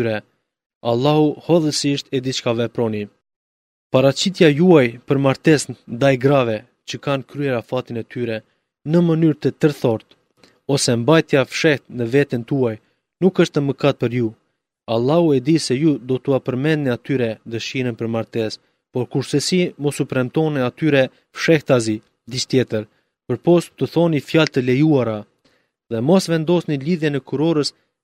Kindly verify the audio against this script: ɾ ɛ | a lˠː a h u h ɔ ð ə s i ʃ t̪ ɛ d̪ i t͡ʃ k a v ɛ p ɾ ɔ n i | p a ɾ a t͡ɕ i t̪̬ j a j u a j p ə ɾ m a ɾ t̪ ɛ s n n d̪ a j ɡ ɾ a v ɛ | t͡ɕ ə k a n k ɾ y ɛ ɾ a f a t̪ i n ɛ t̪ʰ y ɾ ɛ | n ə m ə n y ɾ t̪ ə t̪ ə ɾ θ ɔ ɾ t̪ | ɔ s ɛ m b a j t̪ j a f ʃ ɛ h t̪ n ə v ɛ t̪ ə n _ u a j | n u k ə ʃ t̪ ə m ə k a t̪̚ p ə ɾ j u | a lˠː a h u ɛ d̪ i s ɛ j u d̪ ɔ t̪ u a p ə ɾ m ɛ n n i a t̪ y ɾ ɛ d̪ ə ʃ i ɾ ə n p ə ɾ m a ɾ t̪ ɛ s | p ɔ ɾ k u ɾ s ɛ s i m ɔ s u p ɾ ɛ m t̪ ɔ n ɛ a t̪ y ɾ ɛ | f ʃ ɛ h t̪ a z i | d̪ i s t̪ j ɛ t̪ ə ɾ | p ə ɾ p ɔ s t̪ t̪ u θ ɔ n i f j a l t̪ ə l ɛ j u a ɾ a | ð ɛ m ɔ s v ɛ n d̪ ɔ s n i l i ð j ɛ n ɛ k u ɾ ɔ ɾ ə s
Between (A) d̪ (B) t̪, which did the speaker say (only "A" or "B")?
B